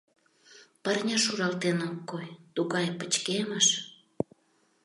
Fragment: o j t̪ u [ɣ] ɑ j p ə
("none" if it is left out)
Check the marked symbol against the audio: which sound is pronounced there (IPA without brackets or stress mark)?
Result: ɣ